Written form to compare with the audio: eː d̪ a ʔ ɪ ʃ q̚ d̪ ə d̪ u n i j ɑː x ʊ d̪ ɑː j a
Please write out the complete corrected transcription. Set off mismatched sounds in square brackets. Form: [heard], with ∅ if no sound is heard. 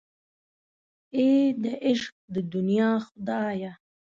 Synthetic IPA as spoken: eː d̪ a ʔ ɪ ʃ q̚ d̪ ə d̪ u n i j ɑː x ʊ d̪ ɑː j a